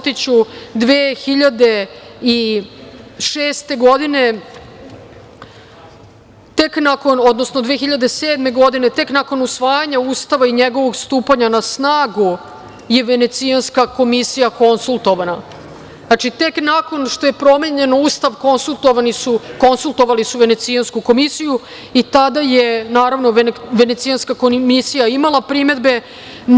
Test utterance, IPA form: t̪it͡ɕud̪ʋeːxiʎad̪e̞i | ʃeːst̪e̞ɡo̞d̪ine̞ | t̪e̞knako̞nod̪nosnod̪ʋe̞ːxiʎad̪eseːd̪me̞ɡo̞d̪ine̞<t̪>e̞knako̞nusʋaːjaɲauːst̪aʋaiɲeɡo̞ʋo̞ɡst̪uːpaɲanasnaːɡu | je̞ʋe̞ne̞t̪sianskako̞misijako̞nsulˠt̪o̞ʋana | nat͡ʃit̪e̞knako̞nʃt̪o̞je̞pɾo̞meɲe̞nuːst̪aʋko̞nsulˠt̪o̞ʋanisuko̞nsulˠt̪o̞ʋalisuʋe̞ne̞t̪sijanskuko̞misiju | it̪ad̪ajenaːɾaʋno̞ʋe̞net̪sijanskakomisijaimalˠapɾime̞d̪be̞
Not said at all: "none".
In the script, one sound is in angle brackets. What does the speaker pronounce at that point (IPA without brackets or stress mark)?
t̪